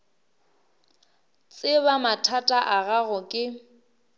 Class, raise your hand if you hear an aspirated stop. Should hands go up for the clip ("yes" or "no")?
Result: yes